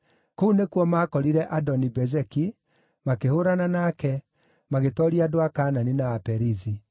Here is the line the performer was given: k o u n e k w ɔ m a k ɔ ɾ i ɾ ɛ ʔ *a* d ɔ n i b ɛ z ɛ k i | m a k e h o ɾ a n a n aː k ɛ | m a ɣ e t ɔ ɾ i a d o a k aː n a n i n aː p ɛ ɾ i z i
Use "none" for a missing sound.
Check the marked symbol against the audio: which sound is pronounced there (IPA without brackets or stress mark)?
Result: a